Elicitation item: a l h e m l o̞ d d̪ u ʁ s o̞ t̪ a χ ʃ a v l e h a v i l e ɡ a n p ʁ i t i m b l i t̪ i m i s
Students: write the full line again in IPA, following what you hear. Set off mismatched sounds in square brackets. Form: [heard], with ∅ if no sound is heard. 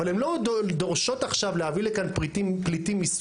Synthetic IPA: a l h e m l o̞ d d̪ [o] ʁ [ʃ] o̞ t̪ a χ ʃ a v l e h a v i l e [k] a n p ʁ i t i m [p] l i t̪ i m i s